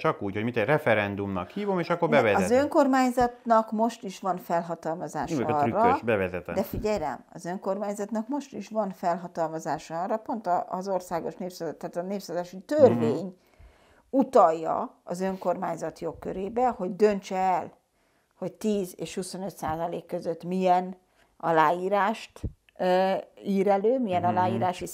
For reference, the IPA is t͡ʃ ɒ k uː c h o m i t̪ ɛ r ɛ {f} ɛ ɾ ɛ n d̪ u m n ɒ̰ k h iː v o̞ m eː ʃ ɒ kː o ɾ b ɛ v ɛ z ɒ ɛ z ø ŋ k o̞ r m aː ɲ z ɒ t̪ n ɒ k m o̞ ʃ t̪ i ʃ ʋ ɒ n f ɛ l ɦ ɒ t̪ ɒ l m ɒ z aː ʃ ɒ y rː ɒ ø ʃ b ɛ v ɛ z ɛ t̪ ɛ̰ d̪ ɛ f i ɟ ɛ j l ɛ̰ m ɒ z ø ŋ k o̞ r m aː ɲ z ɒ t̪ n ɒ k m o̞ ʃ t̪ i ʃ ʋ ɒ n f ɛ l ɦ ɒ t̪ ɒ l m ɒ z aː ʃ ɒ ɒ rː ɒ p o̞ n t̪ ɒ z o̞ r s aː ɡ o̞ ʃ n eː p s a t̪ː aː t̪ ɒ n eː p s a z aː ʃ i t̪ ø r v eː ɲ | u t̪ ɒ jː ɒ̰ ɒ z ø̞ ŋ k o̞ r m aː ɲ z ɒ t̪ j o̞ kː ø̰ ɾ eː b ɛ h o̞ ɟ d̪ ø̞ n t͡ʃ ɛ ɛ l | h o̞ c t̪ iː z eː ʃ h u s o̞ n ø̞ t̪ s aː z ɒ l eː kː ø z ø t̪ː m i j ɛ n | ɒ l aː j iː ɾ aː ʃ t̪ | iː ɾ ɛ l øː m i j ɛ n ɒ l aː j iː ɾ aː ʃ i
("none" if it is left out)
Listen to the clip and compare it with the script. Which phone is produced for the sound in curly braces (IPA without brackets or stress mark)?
f